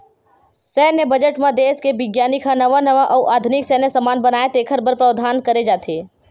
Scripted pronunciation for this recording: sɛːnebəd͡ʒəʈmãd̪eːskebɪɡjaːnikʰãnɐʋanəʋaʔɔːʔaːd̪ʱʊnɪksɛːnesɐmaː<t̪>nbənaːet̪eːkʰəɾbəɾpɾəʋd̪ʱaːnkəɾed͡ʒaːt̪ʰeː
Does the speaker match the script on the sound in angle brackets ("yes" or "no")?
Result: no